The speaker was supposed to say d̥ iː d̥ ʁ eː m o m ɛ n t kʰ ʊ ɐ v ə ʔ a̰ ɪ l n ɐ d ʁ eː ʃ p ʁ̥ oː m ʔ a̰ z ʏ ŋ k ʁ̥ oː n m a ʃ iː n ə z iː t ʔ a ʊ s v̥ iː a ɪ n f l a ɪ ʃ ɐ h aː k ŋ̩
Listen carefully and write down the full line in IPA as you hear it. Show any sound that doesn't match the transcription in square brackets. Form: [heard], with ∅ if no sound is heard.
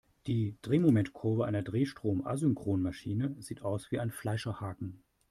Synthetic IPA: d̥ iː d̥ ʁ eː m o m ɛ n t kʰ ʊ ɐ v ə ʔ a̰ ɪ [∅] n ɐ d ʁ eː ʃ [t] ʁ̥ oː m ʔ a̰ z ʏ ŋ k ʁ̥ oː n m a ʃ iː n ə z iː t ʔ a ʊ s v̥ iː a ɪ n f l a ɪ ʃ ɐ h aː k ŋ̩